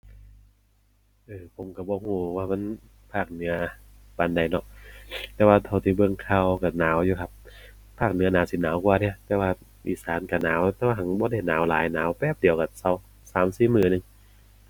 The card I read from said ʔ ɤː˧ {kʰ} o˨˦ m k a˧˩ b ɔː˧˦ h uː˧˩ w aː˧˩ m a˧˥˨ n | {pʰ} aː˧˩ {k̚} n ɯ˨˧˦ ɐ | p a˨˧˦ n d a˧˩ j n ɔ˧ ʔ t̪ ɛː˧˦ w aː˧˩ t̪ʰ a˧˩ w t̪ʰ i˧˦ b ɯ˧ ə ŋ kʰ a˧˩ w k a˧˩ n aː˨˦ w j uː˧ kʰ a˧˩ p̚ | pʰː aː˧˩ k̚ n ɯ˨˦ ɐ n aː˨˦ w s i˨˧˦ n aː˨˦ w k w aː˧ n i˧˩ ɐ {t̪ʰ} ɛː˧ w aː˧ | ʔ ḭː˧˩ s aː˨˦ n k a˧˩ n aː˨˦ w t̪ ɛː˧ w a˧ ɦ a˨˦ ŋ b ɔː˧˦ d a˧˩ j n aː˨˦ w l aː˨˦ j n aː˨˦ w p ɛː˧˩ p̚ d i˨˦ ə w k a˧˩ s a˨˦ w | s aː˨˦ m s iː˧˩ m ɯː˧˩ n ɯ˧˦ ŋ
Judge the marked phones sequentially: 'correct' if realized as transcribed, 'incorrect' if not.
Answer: incorrect: pʰ, correct, correct, incorrect: t̪

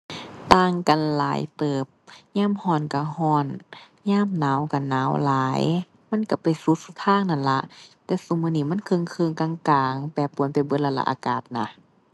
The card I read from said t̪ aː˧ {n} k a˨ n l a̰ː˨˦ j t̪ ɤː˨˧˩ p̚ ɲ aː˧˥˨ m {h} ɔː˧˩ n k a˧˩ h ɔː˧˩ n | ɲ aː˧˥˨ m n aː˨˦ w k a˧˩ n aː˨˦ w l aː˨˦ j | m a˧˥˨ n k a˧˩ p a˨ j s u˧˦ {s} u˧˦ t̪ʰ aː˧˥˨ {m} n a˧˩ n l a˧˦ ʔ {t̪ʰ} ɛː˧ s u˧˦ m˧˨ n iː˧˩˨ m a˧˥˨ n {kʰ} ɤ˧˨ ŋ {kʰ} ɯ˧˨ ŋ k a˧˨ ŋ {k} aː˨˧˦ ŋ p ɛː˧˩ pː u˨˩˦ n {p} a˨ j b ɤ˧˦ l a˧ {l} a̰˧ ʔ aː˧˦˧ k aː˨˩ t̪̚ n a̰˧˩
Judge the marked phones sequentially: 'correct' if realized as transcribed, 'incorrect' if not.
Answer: incorrect: ŋ, correct, correct, incorrect: ŋ, incorrect: t̪, correct, correct, correct, correct, correct

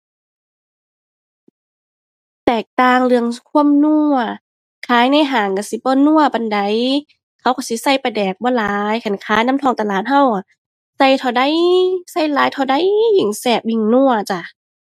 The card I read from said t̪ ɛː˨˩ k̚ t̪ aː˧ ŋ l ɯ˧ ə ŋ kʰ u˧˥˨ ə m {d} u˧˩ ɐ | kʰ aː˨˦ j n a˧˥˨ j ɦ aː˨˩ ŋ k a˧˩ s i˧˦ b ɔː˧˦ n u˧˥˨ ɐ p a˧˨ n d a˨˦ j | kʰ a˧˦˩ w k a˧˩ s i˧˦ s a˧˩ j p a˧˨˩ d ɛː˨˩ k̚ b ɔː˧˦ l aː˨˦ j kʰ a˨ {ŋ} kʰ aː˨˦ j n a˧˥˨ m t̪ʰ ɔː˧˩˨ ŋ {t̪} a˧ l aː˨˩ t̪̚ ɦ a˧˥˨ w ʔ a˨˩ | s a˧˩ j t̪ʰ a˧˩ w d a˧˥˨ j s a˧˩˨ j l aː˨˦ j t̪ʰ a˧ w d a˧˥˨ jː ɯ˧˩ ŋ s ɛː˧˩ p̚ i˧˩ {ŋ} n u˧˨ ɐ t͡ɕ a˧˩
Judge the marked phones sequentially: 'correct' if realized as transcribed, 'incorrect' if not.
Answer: incorrect: n, incorrect: n, correct, correct

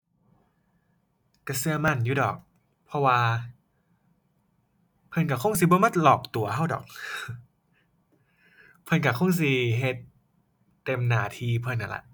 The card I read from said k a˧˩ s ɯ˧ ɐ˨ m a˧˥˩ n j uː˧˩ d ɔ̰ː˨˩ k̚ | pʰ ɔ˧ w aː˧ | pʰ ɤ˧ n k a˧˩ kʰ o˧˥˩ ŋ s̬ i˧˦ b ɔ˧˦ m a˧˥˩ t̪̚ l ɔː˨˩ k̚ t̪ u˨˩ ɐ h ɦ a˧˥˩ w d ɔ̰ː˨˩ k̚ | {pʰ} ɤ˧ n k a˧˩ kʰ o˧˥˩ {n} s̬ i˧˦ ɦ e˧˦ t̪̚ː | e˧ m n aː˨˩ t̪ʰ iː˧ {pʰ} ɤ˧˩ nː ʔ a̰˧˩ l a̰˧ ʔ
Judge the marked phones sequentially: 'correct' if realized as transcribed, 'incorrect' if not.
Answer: correct, incorrect: ŋ, correct

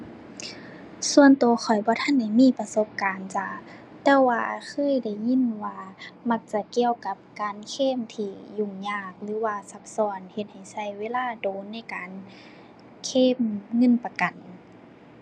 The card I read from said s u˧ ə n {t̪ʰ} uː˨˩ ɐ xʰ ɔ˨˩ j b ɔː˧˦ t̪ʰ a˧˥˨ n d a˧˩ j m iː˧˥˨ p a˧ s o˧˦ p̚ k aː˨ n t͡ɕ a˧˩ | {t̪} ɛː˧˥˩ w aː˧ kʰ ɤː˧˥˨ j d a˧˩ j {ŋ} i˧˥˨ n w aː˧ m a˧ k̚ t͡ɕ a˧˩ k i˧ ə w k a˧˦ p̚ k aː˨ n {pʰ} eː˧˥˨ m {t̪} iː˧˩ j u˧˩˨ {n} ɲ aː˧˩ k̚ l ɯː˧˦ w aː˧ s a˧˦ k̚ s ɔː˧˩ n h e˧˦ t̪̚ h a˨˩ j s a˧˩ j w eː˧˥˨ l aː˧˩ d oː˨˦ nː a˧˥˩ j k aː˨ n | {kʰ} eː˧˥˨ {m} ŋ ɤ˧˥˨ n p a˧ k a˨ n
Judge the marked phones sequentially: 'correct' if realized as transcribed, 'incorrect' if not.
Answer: incorrect: t̪, correct, incorrect: ɲ, incorrect: kʰ, incorrect: t̪ʰ, incorrect: ŋ, correct, correct

